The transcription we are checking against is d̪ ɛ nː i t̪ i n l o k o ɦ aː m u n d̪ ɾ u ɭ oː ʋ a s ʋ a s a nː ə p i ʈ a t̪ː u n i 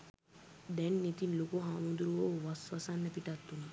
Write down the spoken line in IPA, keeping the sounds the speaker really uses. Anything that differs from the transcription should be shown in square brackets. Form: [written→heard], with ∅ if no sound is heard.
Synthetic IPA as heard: d̪ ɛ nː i t̪ i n l o k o ɦ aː m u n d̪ ɾ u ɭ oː ʋ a s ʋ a s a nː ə p i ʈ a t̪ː u n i